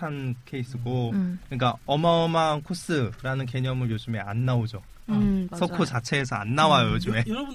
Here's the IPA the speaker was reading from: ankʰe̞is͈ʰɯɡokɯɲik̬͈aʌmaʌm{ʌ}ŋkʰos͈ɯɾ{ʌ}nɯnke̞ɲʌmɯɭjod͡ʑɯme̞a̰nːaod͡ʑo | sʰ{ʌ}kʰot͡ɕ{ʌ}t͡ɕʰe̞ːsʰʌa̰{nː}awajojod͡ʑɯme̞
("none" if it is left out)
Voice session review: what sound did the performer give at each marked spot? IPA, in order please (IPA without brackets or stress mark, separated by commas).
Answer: a, a, ʌ, a, nː